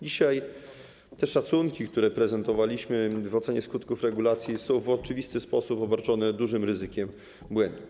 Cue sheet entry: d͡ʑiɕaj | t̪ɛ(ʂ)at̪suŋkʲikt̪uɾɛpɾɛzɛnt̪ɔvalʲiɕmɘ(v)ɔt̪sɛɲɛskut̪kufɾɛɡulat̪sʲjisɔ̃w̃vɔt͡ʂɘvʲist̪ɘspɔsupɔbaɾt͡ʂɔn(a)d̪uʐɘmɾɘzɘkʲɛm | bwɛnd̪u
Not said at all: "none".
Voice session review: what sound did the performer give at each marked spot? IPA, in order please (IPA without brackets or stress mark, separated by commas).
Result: ʂ, v, ɛ